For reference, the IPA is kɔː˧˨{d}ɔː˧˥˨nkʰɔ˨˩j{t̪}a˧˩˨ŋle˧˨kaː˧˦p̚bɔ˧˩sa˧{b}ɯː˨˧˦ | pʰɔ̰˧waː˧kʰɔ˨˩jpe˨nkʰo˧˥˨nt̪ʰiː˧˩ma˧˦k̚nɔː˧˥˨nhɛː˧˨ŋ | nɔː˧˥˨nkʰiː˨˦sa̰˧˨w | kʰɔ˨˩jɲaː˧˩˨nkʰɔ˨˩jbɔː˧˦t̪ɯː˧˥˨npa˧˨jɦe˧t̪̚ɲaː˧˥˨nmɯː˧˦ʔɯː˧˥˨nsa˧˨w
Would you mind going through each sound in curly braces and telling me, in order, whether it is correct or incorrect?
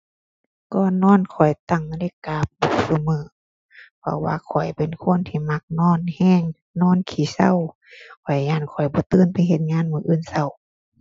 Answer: incorrect, correct, incorrect

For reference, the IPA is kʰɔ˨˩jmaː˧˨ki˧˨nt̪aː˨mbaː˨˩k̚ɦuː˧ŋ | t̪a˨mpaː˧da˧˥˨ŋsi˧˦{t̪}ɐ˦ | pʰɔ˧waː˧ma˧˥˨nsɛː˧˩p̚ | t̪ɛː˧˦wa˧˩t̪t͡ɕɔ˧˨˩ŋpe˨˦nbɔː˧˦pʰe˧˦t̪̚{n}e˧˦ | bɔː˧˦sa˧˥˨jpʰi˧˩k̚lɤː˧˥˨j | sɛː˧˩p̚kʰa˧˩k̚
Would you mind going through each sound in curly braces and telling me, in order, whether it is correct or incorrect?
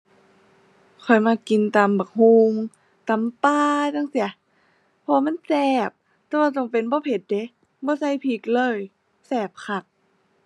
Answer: incorrect, incorrect

